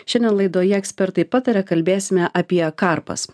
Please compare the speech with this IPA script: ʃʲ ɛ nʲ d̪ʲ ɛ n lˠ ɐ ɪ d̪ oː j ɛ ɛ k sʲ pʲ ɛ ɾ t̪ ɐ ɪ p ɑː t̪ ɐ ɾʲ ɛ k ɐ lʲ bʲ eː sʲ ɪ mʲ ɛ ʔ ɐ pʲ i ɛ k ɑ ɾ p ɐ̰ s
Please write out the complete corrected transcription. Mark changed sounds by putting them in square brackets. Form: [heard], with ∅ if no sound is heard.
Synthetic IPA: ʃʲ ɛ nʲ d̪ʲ ɛ n lˠ ɐ ɪ d̪ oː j ɛ ɛ k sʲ pʲ ɛ ɾ t̪ ɐ ɪ p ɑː t̪ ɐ ɾʲ ɛ k ɐ lʲ bʲ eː sʲ ɪ mʲ ɛ ʔ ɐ pʲ i ɛ k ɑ ɾ p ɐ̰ s